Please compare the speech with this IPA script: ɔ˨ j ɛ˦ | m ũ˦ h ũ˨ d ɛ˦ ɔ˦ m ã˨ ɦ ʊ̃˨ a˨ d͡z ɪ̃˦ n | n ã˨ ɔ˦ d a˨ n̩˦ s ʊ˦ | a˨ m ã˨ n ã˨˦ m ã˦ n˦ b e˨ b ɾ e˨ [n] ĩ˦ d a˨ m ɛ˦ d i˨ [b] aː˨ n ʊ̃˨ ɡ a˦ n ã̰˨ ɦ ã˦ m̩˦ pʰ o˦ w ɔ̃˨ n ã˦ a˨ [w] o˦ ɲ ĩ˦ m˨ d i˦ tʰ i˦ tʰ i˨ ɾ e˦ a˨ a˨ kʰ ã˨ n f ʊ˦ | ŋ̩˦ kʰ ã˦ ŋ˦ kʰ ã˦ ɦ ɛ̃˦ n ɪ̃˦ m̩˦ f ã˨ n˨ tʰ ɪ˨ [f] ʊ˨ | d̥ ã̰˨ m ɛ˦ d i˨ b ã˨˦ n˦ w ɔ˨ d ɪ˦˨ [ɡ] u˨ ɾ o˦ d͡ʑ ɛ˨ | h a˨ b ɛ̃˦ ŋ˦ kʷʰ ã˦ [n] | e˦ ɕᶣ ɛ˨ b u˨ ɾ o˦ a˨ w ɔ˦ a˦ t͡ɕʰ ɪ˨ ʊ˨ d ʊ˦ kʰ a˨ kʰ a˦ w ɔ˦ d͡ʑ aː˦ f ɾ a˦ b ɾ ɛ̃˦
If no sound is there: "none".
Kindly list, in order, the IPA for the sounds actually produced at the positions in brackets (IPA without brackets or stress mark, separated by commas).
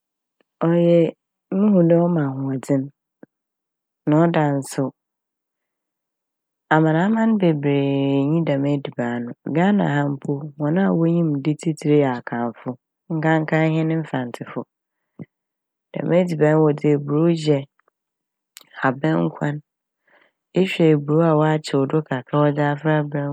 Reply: ɲ, b, w, f, b, n